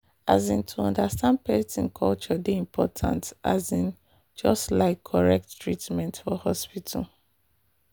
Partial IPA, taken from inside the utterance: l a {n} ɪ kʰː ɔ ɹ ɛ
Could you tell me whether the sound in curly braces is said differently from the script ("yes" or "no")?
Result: yes